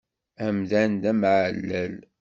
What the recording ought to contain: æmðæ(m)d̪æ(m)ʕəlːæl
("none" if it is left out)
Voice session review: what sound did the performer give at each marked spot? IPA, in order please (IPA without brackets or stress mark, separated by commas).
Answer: n, m